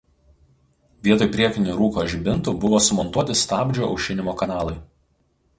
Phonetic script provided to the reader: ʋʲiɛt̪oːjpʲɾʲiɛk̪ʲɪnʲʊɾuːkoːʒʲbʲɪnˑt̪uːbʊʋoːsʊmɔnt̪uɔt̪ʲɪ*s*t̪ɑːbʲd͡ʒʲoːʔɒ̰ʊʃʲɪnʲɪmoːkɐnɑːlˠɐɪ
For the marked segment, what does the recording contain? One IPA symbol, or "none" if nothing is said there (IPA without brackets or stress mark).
s